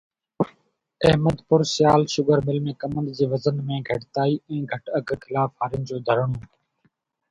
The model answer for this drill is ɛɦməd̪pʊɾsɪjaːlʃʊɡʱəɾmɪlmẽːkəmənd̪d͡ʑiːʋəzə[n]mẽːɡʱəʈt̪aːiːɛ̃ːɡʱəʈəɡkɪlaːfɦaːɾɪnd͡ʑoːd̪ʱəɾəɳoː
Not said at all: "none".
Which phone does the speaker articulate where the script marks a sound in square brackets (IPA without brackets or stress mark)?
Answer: n